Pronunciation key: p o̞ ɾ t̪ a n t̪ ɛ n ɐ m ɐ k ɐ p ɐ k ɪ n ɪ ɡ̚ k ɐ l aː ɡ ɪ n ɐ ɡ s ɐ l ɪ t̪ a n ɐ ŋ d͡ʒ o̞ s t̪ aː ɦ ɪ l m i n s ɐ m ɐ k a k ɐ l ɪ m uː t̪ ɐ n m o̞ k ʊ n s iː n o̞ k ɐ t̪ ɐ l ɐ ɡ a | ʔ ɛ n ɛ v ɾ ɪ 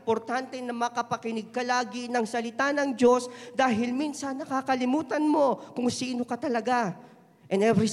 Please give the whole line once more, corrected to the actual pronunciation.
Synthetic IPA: p o̞ ɾ t̪ a n t̪ ɛ n ɐ m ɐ k ɐ p ɐ k ɪ n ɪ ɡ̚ k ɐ l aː ɡ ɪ n ɐ ŋ s ɐ l ɪ t̪ a n ɐ ŋ d͡ʒ o̞ s d̪ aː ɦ ɪ l m i n s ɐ n ɐ k a k ɐ l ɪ m uː t̪ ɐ n m o̞ k ʊ ŋ s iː n o̞ k ɐ t̪ ɐ l ɐ ɡ a | ʔ ɛ n ɛ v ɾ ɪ